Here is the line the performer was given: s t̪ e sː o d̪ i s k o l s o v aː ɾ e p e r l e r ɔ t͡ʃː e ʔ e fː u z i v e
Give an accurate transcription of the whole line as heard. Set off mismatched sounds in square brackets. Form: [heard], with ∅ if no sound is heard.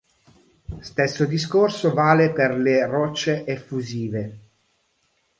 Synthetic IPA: s t̪ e sː o d̪ i s k o [r] s o v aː [l] e p e r l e r ɔ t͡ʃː e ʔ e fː u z [iː] v e